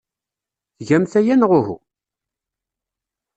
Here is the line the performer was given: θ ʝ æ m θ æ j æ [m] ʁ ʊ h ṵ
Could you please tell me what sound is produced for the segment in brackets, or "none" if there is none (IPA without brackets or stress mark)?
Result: n